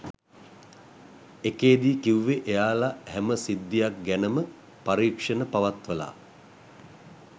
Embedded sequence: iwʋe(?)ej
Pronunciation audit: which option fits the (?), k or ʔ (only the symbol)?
ʔ